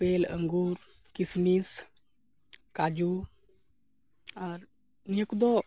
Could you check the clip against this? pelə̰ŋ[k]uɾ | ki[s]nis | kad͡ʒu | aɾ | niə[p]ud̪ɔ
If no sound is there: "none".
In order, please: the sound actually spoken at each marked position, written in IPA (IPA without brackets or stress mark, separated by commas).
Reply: ɡ, s, k